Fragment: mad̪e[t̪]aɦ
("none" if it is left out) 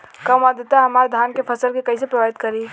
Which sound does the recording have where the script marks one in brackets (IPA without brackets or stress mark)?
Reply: t̪